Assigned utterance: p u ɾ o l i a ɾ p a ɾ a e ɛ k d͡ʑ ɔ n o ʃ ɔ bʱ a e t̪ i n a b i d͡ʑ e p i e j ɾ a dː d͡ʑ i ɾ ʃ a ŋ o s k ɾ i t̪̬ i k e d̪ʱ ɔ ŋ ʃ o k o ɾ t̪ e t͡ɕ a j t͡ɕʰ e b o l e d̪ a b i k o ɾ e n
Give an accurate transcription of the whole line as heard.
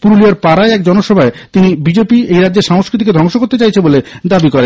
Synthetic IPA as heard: p u ɾ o l i a ɾ p a ɾ a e ɛ k d͡ʑ ɔ n o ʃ ɔ bʱ a e t̪ i n i b i d͡ʑ e p i e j ɾ a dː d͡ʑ e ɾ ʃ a ŋ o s k ɾ i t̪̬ i k e d̪ʱ ɔ ŋ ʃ o k o ɾ t̪ e t͡ɕ a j t͡ɕʰ e b o l e d̪ a b i k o ɾ e n